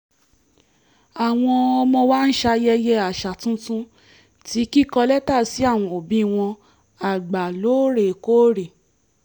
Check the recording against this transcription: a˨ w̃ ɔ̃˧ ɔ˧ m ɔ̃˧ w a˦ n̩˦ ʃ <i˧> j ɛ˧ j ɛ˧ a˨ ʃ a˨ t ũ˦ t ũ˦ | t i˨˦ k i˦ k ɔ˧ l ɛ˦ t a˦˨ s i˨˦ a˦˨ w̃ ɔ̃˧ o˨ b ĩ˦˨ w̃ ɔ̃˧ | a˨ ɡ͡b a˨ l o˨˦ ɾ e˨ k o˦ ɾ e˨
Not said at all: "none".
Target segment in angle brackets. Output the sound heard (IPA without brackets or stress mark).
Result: a˧